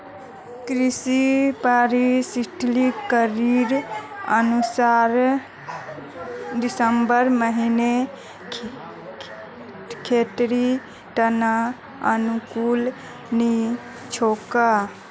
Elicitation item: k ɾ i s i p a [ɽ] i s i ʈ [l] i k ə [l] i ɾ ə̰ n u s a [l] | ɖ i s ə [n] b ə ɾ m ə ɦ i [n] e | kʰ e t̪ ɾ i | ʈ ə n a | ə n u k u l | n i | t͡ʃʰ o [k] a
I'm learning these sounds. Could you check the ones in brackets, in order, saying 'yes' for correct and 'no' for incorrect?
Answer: no, yes, no, no, no, yes, yes

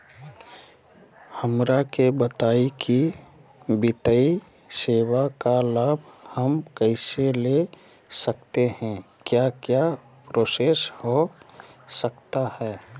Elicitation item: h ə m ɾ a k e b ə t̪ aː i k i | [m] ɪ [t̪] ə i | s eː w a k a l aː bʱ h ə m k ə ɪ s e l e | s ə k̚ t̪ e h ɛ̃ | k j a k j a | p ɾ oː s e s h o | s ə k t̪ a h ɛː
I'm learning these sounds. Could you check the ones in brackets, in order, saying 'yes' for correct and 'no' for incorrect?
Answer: no, yes

